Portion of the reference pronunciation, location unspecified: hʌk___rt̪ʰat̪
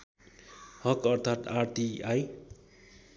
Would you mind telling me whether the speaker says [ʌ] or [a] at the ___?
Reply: ʌ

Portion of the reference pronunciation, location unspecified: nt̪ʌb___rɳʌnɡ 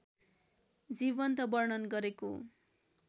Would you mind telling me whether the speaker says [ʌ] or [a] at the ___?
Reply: ʌ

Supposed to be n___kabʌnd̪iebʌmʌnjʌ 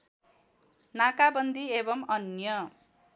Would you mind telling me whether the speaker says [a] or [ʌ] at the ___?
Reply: a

